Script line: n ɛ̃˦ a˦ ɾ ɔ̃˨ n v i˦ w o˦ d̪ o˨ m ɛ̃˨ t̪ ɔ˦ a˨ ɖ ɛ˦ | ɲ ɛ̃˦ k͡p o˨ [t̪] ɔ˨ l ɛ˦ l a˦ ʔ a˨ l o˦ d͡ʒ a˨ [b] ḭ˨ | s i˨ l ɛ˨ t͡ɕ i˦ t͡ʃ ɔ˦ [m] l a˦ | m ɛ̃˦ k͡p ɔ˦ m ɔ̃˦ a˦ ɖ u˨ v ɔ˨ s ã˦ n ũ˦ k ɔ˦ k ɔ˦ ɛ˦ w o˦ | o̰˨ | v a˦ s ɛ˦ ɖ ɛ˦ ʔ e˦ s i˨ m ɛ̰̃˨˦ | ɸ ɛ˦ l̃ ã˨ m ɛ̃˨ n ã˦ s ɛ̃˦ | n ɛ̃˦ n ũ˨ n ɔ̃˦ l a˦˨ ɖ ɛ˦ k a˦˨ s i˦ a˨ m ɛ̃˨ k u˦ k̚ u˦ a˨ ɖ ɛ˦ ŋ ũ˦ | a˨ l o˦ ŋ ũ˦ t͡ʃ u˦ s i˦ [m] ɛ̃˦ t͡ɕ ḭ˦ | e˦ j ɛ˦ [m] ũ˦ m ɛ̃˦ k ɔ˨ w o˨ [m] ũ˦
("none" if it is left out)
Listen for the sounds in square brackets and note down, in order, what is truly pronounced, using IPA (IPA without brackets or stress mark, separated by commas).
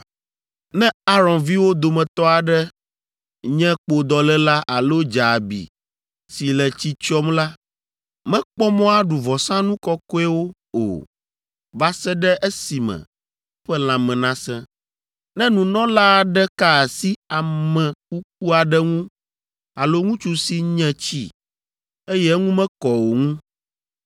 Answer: d̪, b, m, ɲ, ŋ, ŋ